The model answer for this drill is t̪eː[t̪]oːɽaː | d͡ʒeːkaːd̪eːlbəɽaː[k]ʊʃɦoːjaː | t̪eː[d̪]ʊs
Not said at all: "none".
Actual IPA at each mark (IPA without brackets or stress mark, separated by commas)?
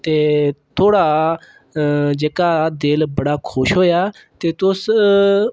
t̪ʰ, kʰ, t̪